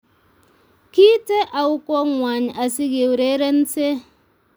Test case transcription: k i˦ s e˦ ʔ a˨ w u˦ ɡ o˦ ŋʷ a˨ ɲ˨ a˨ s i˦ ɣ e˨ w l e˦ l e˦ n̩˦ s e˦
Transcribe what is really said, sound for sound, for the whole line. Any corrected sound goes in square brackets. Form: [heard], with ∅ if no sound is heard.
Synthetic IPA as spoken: k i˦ [t] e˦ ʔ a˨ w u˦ [k] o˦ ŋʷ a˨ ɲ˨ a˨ s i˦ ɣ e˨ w [ɾ] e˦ [ɾ] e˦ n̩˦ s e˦